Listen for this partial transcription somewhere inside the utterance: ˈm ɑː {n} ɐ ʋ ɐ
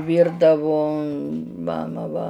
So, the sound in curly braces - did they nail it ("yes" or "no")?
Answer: no